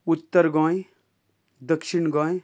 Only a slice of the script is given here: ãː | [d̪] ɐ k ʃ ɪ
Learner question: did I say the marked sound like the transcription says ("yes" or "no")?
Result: yes